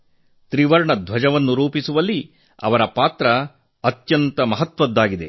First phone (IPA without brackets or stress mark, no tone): t̪